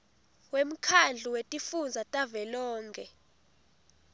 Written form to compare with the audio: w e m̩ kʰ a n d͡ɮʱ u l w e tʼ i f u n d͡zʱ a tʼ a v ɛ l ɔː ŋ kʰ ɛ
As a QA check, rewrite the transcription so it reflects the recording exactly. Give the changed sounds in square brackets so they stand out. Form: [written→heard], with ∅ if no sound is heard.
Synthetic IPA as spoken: w e m̩ kʰ a n d͡ɮʱ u [l→∅] w e tʼ i f u n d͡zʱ a tʼ a v ɛ l ɔː ŋ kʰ ɛ